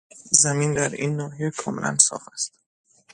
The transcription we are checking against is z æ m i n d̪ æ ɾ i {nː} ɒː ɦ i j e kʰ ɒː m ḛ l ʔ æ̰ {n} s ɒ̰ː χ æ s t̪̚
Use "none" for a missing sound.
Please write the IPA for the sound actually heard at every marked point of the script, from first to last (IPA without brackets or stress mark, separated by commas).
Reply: nː, n